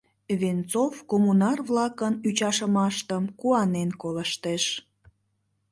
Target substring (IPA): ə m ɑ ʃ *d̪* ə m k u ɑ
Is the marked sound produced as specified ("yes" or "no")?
no